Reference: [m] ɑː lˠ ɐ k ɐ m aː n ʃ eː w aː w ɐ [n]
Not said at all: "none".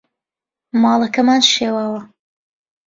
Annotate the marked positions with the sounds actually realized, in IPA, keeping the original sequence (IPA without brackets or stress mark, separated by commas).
m, none